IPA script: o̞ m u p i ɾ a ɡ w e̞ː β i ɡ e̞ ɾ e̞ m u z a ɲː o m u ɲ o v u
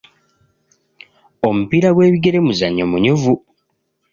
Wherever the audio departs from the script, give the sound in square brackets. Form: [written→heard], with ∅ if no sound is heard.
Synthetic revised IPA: o̞ m u p i ɾ a ɡ w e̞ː β i ɡ e̞ ɾ e̞ m u z a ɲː o m u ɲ [o→u] v u